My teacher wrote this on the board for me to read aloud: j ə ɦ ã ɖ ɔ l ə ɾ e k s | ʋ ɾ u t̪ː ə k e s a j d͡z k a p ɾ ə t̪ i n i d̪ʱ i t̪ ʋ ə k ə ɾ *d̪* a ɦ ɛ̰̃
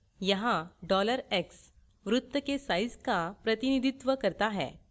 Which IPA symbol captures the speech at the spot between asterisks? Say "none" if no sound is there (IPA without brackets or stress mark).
t̪